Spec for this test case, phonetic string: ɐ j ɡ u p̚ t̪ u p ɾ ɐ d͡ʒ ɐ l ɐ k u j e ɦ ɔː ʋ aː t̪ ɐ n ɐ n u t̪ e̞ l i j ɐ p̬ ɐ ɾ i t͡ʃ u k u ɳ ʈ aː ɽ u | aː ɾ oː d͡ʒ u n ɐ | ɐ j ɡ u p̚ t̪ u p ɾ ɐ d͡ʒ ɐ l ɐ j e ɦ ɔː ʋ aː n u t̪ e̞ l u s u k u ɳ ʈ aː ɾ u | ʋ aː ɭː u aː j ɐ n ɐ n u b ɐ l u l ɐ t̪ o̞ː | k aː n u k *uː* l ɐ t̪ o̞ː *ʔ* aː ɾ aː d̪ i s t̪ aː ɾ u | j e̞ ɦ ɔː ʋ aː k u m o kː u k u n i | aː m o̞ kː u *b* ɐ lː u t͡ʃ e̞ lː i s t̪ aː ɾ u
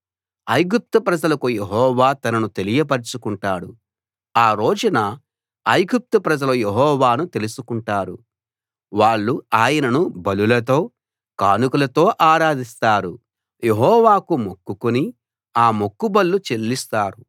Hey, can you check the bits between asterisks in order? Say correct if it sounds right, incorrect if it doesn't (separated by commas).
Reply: incorrect, correct, correct